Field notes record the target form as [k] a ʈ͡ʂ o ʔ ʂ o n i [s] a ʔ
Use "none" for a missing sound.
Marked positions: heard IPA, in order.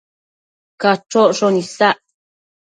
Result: k, s

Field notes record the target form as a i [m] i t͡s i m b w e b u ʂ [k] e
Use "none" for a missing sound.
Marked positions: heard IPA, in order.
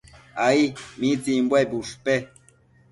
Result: m, p

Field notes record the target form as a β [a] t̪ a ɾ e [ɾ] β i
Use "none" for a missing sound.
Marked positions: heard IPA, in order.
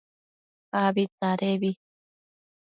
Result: i, none

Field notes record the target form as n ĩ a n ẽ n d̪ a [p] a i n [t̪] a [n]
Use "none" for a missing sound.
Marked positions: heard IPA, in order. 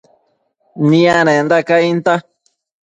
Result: k, t̪, none

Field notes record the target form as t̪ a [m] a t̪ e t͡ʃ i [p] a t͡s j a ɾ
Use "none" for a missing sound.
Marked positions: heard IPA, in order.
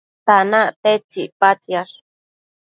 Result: n, p

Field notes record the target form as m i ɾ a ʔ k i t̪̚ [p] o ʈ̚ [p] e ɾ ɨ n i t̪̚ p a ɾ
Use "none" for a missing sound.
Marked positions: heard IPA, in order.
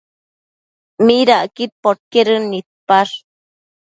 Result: p, k

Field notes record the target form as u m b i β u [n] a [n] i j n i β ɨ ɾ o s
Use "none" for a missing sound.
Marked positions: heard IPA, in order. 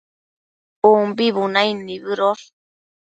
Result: n, none

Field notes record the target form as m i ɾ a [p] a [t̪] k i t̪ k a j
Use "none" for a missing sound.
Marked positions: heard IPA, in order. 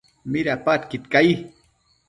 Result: p, t̪

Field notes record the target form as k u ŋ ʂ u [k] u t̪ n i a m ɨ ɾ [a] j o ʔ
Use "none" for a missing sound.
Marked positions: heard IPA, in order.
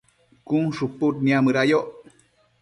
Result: p, a

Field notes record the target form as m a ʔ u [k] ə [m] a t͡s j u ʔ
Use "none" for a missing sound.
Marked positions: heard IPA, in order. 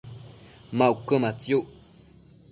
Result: k, m

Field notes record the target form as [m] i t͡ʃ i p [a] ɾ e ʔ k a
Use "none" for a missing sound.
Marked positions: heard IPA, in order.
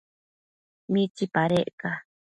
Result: m, a

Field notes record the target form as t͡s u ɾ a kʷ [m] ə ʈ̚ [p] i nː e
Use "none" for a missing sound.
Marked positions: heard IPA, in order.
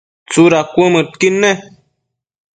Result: m, k

